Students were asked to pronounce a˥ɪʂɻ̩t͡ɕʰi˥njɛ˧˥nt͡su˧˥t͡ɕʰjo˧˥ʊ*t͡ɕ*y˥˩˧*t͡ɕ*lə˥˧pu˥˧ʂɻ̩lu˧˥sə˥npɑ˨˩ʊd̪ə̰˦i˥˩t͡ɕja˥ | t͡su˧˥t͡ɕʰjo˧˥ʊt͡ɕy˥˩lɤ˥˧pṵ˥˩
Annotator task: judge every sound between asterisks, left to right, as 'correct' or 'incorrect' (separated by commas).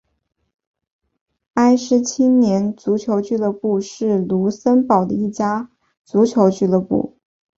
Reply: correct, incorrect